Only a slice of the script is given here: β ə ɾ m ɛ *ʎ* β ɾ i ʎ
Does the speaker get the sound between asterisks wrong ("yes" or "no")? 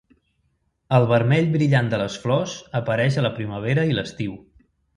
no